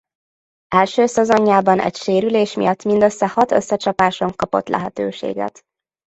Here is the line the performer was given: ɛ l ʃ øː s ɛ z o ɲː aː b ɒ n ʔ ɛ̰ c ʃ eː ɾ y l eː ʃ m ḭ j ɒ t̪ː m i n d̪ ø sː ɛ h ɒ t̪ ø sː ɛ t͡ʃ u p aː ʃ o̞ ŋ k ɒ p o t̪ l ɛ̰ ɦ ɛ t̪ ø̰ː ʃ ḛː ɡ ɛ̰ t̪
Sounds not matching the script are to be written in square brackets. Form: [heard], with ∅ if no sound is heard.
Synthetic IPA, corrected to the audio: ɛ l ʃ øː s ɛ z o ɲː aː b ɒ n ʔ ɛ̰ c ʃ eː ɾ y l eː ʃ m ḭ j ɒ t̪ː m i n d̪ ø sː ɛ h ɒ t̪ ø sː ɛ t͡ʃ [ɒ] p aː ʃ o̞ ŋ k ɒ p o t̪ l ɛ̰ ɦ ɛ t̪ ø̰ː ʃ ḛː ɡ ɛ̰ t̪